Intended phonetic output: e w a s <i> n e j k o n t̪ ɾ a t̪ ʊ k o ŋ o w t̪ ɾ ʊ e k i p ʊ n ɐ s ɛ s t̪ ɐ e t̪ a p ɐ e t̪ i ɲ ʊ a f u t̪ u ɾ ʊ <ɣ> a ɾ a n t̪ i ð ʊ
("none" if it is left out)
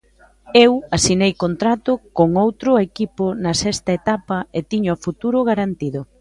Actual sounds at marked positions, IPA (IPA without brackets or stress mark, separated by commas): i, ɣ